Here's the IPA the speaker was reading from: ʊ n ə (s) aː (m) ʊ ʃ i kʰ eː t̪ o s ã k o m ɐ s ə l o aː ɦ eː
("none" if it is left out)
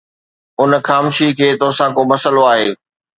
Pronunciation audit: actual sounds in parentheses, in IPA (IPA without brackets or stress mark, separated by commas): x, m